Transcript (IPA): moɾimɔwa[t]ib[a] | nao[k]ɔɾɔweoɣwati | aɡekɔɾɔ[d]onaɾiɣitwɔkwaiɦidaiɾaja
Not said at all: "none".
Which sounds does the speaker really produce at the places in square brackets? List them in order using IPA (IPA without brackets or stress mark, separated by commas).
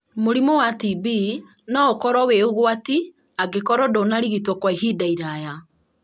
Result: t, i, k, d